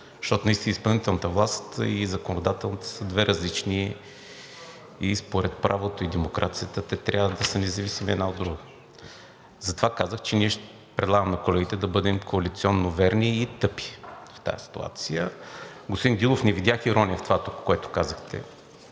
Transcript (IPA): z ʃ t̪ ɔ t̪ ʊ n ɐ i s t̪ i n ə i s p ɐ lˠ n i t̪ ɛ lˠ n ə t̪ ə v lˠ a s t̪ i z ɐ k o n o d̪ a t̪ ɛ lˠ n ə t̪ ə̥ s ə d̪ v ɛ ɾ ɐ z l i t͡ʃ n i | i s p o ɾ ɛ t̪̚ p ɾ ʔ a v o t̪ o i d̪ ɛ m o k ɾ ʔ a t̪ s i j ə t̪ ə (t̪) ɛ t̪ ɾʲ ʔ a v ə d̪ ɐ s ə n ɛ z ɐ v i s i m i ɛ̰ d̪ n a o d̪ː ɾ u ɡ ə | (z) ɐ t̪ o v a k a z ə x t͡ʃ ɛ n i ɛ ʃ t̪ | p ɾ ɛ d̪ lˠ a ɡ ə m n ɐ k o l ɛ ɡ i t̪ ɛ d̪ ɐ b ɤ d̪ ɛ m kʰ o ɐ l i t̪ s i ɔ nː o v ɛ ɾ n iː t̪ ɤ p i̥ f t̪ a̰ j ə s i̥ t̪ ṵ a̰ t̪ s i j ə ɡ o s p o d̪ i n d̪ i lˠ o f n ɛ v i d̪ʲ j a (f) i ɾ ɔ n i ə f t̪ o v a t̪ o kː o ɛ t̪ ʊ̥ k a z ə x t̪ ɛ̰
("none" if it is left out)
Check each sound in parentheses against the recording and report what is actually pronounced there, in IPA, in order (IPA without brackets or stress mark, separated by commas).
t̪, z, x